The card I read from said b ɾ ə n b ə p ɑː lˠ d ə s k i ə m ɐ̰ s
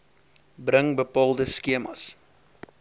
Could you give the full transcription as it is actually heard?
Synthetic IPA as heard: b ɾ ə ŋ b ə p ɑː lˠ d ə s k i ə m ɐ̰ s